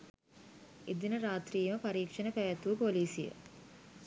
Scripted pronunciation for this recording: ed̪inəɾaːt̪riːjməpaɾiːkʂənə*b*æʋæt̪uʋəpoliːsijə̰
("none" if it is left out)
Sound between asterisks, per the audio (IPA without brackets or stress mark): p